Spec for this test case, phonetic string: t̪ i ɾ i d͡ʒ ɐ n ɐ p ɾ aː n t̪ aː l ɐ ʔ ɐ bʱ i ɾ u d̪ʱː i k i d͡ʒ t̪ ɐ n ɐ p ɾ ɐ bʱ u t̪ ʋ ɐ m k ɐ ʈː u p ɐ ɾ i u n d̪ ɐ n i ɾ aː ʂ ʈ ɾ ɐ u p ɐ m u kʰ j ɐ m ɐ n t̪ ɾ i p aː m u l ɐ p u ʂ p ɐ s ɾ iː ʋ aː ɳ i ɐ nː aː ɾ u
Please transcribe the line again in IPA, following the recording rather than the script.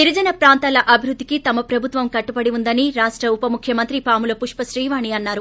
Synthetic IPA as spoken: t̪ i ɾ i d͡ʒ ɐ n ɐ p ɾ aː n t̪ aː l ɐ ʔ ɐ bʱ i ɾ u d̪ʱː i k i t̪ ɐ m ɐ p ɾ ɐ bʱ u t̪ ʋ ɐ m k ɐ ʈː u p ɐ ɽ i u n d̪ ɐ n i ɾ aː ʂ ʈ ɾ ɐ u p ɐ m u kʰ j ɐ m ɐ n t̪ ɾ i p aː m u l ɐ p u ʂ p ɐ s ɾ iː ʋ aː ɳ i ɐ nː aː ɾ u